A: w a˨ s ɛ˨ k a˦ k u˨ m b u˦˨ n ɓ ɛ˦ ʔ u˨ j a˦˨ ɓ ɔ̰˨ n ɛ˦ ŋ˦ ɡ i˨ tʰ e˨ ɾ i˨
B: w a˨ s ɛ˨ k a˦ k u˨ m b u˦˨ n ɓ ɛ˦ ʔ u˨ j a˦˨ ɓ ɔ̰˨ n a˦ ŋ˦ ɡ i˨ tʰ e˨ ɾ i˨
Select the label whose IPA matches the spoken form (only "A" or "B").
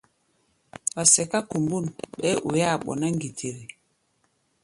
B